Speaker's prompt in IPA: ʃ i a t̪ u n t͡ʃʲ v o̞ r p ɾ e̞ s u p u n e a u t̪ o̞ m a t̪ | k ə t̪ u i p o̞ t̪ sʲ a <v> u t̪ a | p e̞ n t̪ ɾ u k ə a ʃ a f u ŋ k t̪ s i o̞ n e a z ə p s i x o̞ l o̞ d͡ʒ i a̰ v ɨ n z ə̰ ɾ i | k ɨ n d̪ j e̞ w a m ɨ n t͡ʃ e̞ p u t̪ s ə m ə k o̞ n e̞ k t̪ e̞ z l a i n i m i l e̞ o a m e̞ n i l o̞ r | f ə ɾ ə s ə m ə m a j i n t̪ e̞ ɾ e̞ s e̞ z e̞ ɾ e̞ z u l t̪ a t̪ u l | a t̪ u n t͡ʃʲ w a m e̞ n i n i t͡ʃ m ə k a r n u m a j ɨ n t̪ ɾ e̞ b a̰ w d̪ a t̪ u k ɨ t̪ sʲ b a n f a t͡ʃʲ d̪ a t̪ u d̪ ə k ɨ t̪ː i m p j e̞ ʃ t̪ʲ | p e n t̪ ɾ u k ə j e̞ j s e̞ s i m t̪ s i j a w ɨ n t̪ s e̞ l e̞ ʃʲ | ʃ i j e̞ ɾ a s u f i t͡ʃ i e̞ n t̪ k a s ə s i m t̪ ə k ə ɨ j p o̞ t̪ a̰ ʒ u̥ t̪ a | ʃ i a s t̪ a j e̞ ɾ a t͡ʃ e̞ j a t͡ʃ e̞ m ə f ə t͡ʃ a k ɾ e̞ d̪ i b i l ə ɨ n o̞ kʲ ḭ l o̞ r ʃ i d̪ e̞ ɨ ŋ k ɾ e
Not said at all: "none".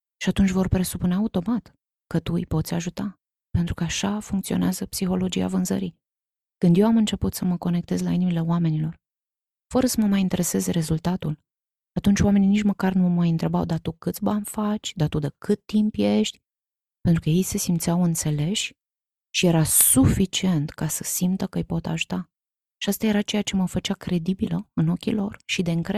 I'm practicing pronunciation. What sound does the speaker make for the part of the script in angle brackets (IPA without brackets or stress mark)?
ʒ